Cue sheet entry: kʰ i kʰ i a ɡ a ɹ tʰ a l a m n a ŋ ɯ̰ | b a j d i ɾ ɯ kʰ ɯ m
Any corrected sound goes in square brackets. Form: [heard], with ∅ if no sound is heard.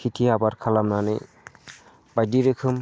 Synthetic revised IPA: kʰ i [tʰ] i a [b] a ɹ [kʰ] a l a m n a [n] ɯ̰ | b a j d i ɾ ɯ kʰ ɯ m